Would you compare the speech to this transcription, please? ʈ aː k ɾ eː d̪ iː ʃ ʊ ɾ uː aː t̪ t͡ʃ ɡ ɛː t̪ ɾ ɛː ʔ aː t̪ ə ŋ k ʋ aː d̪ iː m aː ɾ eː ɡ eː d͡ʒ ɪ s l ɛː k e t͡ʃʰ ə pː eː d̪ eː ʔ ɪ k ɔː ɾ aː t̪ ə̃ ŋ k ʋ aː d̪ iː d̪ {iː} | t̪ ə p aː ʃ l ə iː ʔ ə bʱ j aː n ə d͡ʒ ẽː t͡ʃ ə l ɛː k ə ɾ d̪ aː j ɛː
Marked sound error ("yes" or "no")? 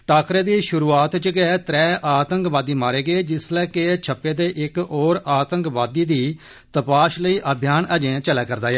no